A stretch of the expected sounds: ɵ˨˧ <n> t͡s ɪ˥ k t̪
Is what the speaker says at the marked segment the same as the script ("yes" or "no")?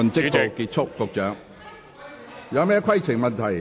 yes